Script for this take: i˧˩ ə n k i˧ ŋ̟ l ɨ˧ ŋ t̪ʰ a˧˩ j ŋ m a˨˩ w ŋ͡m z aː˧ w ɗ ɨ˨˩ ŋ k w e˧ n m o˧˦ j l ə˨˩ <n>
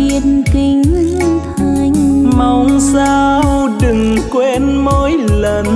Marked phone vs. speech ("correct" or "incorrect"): correct